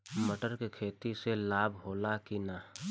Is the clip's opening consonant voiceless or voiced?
voiced